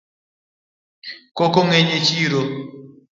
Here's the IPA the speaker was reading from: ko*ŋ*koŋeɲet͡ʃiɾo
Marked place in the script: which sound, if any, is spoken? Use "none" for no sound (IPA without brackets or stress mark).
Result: none